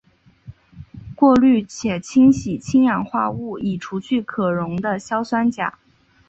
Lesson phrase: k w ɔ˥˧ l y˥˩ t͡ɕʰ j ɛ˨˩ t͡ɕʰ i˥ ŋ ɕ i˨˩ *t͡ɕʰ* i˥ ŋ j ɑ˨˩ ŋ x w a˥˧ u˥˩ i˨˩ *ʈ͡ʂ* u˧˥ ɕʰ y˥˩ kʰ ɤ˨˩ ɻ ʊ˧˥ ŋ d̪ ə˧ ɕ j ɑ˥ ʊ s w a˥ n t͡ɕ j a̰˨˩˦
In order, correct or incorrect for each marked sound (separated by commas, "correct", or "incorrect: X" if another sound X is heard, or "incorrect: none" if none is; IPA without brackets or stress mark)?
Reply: correct, incorrect: ʈ͡ʂʰ